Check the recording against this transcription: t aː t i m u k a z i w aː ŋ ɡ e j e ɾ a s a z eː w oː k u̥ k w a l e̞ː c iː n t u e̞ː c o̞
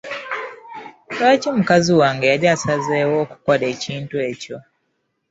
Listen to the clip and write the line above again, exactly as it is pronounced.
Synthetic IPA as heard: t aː c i m u k a z i w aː ŋ ɡ e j a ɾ a s a z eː w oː k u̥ k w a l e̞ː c iː n t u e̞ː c o̞